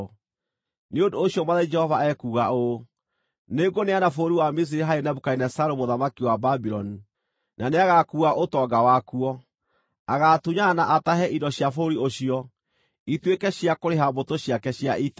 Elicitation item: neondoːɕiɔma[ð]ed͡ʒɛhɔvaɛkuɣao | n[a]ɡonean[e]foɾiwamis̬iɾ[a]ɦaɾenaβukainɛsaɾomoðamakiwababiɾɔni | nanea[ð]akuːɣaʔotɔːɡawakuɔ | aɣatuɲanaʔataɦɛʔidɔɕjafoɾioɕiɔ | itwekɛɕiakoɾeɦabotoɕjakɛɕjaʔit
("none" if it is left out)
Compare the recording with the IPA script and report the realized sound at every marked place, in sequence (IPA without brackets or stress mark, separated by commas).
ð, e, a, e, ɣ